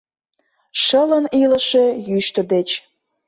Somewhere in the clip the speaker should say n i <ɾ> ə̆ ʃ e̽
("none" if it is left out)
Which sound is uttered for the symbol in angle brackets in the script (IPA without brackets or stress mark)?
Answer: l